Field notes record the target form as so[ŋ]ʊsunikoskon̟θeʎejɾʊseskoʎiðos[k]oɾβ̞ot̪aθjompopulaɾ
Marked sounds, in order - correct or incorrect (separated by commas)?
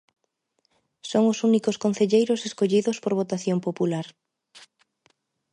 correct, incorrect